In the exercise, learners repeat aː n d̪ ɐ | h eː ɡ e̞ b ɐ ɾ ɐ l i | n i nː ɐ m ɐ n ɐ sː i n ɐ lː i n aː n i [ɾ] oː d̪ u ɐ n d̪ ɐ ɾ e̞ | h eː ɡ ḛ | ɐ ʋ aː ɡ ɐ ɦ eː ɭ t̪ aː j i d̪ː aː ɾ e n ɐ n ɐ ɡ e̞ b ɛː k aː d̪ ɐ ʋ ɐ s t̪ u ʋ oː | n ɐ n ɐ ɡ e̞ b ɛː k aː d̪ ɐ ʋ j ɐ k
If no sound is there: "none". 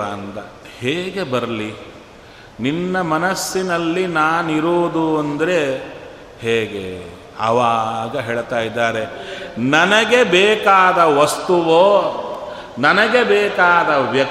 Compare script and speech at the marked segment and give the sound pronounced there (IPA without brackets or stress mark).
ɾ